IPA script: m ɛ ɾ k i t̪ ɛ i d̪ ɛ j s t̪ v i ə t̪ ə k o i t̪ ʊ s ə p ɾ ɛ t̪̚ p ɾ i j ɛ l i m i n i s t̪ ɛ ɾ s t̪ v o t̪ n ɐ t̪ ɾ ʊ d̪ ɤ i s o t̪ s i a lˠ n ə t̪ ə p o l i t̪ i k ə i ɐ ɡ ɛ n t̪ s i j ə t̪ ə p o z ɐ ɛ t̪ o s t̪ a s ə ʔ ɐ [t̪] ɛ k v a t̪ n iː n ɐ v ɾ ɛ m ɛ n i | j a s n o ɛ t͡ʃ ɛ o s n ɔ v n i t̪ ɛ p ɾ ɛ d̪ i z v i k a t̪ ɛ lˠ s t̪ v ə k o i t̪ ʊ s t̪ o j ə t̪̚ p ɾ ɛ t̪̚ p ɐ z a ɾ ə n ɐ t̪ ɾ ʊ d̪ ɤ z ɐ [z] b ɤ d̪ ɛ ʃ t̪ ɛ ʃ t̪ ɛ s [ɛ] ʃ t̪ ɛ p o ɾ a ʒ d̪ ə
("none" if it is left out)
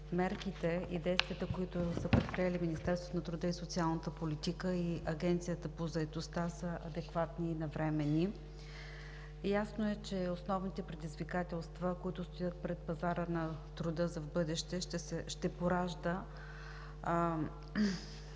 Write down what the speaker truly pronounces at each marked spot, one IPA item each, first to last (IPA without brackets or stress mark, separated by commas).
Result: d̪, v, ɛ